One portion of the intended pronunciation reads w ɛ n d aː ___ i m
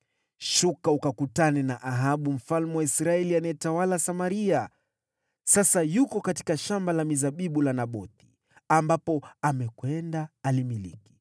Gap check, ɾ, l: l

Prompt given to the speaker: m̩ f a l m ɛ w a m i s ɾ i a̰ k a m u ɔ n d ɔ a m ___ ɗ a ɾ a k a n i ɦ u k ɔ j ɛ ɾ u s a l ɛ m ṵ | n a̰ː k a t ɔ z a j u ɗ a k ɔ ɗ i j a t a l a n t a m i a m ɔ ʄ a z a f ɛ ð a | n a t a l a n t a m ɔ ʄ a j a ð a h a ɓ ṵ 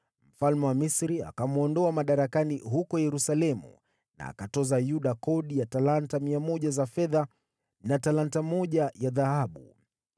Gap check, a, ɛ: a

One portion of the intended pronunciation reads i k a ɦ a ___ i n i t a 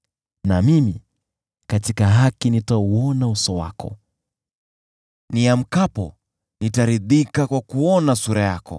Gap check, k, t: k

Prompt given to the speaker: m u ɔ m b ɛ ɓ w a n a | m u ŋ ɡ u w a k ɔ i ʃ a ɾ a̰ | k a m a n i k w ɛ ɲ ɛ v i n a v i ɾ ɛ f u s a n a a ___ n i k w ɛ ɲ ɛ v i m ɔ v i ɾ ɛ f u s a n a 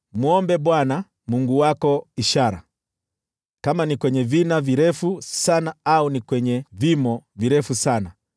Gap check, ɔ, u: u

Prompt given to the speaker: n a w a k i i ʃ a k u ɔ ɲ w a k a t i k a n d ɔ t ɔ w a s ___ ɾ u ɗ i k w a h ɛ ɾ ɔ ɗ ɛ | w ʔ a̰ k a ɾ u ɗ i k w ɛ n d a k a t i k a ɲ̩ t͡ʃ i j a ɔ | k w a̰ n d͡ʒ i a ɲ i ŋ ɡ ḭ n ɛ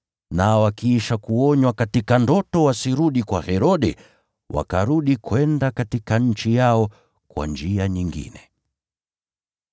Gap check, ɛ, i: i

